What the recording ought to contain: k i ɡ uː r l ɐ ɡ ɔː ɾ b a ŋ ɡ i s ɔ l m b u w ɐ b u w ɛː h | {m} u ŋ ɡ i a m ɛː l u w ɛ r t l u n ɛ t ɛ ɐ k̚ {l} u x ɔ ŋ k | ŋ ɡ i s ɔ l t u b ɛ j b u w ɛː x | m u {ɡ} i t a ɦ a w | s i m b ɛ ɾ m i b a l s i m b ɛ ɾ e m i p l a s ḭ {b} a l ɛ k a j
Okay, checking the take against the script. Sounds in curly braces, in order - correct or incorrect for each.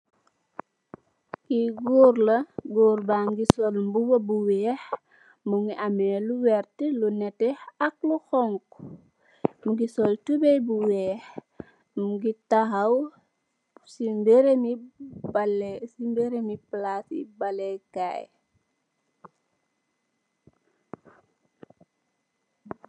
correct, correct, correct, correct

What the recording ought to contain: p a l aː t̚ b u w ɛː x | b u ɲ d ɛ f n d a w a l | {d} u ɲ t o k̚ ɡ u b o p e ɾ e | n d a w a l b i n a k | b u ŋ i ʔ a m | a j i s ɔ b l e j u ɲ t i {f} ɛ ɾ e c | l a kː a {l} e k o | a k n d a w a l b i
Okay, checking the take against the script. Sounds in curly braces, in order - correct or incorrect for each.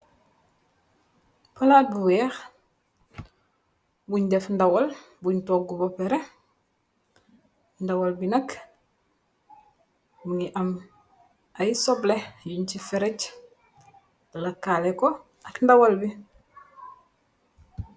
incorrect: b, correct, correct

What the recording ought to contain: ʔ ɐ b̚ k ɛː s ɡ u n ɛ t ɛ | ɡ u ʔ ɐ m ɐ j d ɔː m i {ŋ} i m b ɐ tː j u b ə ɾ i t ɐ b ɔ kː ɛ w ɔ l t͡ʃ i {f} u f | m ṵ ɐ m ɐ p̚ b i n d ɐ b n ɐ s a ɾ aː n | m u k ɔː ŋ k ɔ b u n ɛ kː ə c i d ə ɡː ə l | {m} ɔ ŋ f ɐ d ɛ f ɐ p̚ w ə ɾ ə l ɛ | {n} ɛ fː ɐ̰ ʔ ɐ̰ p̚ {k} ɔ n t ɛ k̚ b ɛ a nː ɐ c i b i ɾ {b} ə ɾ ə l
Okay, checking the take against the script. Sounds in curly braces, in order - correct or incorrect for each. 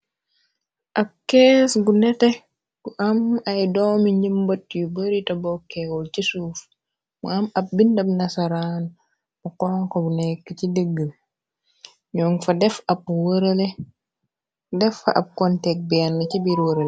incorrect: ɲ, incorrect: s, incorrect: ɲ, incorrect: d, correct, incorrect: w

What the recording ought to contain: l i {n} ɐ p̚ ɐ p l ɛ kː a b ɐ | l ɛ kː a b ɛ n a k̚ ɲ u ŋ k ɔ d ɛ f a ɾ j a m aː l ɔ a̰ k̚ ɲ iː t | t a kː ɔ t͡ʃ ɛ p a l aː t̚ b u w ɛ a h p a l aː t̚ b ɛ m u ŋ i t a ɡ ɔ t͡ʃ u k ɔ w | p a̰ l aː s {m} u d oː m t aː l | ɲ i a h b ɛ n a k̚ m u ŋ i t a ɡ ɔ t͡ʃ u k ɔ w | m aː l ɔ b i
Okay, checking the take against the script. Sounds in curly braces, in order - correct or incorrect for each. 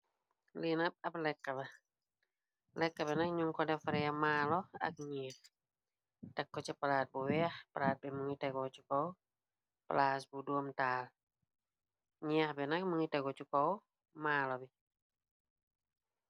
correct, incorrect: b

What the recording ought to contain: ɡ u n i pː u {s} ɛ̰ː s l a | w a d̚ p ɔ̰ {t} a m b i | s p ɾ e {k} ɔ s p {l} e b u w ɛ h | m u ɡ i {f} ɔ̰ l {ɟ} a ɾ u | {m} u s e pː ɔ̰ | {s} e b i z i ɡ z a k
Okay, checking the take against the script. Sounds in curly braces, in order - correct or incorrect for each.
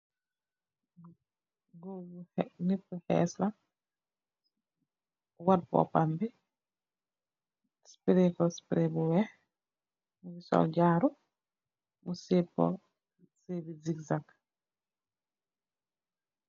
incorrect: h, incorrect: p, correct, incorrect: ɾ, incorrect: s, correct, correct, correct

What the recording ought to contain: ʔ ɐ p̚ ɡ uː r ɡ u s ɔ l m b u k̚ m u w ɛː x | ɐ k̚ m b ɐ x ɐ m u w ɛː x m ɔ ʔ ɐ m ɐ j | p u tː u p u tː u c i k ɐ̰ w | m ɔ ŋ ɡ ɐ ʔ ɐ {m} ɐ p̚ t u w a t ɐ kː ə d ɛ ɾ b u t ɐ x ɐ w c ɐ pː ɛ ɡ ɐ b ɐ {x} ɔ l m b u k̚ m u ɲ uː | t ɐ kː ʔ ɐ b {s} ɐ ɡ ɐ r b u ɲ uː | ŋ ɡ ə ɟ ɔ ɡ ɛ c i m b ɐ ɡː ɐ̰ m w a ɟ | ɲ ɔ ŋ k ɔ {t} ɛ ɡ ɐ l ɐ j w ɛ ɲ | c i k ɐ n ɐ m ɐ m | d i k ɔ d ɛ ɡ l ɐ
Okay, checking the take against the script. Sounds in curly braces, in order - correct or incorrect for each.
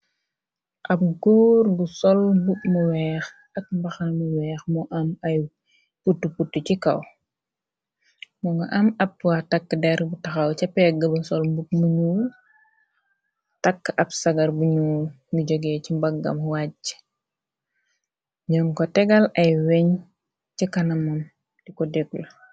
correct, incorrect: s, correct, correct

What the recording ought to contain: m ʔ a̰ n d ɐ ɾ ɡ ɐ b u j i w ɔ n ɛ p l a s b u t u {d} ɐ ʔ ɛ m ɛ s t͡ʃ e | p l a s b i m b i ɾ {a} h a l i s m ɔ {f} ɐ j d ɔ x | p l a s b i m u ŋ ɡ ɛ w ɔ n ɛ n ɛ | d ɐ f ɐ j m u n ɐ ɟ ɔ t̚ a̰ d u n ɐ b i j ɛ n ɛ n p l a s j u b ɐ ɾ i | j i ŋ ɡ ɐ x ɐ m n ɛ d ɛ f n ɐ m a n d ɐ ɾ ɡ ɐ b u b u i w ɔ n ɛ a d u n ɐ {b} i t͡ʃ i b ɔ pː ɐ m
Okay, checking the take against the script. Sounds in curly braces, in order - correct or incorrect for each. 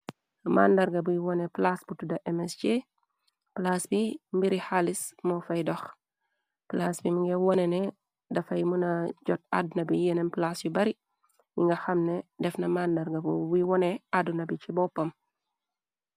correct, incorrect: i, correct, correct

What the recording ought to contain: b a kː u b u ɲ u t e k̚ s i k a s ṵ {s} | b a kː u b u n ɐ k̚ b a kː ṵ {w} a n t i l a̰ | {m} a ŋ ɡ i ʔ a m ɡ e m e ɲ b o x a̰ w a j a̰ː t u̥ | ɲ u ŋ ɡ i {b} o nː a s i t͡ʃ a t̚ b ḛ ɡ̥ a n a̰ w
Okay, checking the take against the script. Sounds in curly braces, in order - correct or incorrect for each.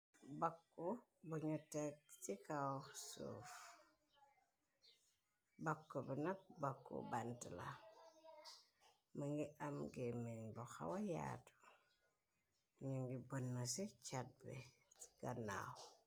incorrect: f, incorrect: b, correct, correct

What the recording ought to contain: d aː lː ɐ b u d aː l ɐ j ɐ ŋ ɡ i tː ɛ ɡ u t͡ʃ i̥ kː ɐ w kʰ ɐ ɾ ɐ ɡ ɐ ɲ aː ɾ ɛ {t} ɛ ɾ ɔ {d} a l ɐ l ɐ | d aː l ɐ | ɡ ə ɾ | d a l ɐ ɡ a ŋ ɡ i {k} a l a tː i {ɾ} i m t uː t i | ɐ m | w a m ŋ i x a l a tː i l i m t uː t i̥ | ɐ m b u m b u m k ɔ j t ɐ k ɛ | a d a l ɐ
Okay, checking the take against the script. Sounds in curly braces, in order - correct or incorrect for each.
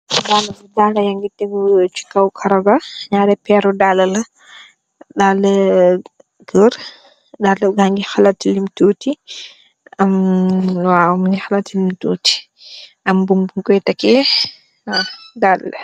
incorrect: p, correct, incorrect: x, incorrect: l

